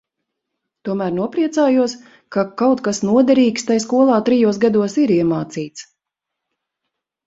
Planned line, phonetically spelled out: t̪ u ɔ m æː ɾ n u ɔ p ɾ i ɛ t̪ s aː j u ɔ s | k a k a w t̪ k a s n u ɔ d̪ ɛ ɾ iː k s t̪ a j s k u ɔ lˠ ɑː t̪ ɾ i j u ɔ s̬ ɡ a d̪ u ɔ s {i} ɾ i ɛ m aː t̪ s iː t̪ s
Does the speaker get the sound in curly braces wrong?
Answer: no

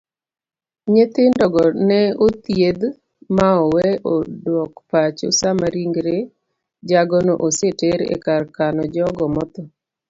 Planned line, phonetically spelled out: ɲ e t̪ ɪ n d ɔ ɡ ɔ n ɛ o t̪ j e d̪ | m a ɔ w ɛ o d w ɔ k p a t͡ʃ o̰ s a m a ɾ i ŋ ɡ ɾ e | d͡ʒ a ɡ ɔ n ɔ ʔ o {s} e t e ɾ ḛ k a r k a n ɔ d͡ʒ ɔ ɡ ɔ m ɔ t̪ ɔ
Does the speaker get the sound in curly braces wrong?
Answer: no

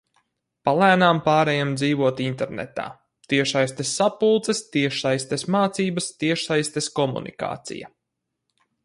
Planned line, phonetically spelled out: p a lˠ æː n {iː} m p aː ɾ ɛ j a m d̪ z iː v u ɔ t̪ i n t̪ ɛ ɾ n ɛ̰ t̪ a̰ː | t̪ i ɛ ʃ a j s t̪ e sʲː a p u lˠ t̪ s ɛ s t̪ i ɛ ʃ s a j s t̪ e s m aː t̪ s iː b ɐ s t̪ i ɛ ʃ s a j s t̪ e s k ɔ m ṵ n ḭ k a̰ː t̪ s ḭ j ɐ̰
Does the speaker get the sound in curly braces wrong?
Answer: yes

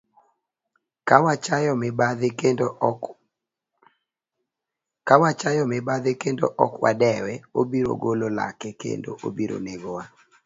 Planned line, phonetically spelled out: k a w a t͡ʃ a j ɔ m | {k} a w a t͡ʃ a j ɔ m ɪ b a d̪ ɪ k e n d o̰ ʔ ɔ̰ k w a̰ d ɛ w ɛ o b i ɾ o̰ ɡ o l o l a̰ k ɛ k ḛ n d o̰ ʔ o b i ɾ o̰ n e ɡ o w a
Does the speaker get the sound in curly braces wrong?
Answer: no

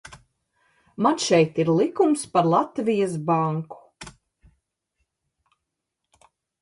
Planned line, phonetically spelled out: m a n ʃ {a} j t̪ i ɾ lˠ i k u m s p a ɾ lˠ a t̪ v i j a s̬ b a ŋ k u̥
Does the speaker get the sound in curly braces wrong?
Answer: yes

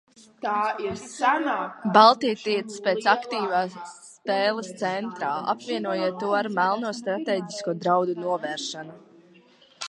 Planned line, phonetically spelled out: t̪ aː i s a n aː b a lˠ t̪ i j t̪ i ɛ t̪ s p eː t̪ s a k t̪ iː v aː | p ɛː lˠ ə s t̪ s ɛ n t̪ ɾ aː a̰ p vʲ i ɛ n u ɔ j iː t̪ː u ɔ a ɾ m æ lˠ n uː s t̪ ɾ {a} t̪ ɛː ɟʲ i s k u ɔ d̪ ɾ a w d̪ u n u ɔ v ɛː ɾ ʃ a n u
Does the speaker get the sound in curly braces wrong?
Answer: no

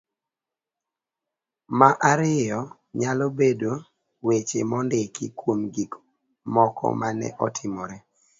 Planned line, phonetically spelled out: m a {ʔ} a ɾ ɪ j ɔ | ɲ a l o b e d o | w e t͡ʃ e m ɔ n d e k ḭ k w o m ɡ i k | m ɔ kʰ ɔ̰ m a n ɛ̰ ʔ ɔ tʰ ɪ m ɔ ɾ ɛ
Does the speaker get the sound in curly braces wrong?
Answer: no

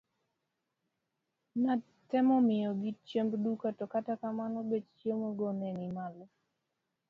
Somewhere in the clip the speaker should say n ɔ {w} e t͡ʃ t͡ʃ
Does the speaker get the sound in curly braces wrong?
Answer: yes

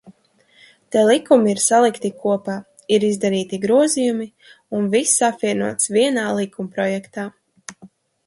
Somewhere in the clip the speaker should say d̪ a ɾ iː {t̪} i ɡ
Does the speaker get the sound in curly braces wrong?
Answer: no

